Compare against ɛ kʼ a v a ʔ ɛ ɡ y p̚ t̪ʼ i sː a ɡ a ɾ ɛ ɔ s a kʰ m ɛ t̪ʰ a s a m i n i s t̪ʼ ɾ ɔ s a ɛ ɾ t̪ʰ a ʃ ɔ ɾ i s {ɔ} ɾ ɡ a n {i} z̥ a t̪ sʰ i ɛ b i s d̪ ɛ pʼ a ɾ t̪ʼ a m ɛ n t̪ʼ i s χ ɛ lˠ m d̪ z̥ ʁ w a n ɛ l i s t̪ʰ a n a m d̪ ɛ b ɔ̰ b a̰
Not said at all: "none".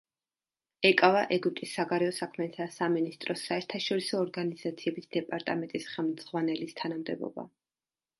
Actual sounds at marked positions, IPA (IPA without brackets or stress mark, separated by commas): ɔː, i